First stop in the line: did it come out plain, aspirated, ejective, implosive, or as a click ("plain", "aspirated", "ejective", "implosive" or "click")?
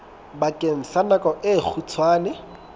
plain